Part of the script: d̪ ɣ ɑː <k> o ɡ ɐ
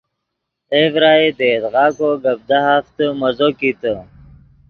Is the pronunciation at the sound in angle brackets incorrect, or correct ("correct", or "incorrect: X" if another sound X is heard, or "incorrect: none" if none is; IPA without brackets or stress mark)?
correct